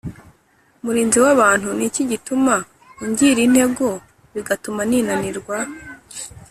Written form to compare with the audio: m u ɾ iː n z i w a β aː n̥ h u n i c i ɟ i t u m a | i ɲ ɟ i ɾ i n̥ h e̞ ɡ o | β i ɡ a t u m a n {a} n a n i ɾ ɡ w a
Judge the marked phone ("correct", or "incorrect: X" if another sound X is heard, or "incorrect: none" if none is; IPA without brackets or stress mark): incorrect: i